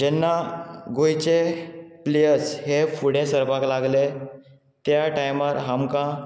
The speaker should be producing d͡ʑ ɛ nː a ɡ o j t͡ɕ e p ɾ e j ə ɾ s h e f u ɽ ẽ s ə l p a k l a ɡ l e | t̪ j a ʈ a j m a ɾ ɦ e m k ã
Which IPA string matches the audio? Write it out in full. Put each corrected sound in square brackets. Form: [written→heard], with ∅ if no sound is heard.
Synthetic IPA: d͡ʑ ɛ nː a ɡ o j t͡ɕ e p [ɾ→l] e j ə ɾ s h e f u ɽ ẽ s ə [l→ɾ] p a k l a ɡ l e | t̪ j a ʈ a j m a ɾ ɦ [e→a] m k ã